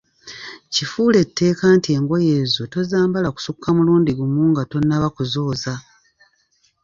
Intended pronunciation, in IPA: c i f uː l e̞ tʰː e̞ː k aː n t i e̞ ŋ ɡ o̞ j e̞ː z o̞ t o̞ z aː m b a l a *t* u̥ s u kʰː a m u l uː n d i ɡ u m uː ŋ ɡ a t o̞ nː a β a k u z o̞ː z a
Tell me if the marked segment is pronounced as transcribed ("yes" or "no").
no